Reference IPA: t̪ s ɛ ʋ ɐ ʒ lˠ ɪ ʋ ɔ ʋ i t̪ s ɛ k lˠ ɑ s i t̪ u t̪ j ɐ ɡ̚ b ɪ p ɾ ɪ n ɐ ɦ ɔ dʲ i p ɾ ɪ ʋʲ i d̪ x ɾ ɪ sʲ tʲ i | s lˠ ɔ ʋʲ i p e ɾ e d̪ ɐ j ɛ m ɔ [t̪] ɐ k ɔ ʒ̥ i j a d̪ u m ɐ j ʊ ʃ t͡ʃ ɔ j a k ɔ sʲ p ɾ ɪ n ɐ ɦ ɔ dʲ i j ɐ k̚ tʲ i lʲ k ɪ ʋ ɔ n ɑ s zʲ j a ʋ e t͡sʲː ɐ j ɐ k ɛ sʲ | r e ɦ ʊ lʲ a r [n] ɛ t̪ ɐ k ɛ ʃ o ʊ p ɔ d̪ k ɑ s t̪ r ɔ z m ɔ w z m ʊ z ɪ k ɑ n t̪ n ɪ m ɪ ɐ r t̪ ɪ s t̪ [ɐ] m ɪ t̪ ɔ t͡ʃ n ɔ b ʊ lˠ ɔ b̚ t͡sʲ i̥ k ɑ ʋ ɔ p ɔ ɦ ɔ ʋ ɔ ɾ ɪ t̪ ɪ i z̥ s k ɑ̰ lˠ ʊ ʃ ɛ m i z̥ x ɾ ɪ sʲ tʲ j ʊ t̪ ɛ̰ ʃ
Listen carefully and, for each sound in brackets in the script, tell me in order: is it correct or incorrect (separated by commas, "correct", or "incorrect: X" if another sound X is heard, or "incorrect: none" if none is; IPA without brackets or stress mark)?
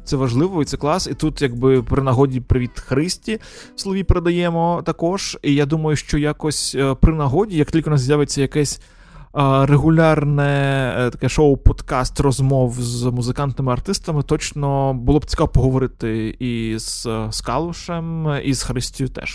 correct, correct, correct